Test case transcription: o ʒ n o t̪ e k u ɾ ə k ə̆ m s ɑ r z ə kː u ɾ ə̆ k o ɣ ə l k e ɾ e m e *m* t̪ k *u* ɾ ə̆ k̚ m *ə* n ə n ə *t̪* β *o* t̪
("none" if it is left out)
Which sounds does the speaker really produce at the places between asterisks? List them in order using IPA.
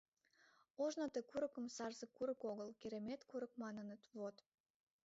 none, u, ɑ, t̪, o

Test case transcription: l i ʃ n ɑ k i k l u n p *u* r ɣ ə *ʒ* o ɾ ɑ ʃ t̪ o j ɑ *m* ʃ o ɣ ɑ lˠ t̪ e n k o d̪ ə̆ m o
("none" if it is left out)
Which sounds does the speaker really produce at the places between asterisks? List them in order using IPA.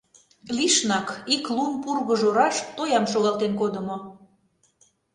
u, ʒ, m

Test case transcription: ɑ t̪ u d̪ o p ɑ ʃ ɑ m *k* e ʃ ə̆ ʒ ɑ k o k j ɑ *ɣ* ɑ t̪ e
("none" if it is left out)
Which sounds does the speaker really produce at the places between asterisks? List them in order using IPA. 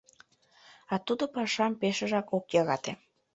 p, ɣ

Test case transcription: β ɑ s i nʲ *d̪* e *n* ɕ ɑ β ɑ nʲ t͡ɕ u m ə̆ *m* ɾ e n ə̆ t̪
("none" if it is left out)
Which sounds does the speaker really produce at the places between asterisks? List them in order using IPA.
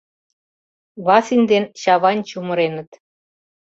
d̪, n, none

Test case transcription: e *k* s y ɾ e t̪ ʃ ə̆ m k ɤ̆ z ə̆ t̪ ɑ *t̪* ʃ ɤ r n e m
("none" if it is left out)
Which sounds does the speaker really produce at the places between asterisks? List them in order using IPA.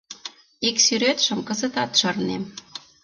k, t̪

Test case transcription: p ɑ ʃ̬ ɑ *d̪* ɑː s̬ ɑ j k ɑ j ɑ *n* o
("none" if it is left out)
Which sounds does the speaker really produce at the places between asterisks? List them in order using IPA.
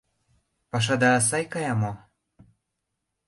d̪, m

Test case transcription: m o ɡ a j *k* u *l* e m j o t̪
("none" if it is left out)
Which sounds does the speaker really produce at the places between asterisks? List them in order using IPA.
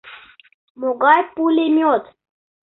p, l

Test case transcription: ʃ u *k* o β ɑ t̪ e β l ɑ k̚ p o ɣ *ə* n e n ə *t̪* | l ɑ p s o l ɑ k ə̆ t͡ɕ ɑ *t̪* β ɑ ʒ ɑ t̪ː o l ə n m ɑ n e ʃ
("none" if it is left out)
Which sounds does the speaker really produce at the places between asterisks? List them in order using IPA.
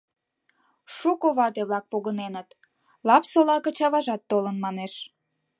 k, ə, t̪, none

